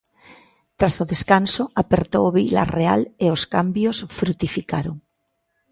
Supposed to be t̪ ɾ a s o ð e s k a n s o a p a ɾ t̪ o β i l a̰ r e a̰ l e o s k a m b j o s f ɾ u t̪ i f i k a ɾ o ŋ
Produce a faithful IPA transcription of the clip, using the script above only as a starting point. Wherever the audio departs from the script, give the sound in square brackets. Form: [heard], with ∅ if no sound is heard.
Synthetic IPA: t̪ ɾ a s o ð e s k a n s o a p [e] ɾ t̪ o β i l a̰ r e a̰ l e o s k a m b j o s f ɾ u t̪ i f i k a ɾ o ŋ